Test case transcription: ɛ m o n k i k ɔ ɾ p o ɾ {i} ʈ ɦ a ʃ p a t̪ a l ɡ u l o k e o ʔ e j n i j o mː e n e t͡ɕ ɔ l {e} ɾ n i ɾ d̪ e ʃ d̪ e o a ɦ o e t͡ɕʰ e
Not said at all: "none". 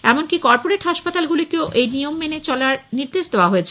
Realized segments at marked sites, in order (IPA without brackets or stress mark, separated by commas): e, a